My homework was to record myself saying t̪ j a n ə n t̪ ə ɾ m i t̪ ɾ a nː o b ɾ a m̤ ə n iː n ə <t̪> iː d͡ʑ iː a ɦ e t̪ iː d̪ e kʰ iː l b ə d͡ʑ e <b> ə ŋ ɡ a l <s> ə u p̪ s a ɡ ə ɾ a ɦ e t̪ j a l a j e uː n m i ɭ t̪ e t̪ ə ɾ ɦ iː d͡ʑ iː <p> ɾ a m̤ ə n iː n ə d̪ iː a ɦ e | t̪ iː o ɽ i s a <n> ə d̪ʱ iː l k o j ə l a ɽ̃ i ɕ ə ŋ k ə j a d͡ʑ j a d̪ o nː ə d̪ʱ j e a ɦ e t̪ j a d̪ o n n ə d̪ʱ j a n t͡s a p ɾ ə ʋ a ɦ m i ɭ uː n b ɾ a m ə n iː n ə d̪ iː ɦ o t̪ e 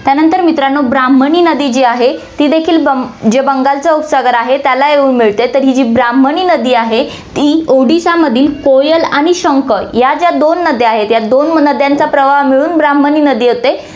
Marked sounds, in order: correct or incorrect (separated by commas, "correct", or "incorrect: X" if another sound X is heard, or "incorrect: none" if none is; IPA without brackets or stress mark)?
incorrect: d̪, correct, incorrect: t͡s, incorrect: b, incorrect: m